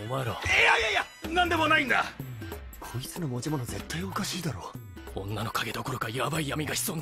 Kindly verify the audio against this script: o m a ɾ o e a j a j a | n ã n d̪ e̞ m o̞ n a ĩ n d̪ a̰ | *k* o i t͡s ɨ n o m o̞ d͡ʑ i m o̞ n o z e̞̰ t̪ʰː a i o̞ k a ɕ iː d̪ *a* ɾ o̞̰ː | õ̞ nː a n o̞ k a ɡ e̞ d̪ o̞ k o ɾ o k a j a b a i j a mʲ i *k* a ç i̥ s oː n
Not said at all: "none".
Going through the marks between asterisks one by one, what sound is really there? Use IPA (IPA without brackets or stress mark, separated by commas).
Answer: kʰ, a, ɡ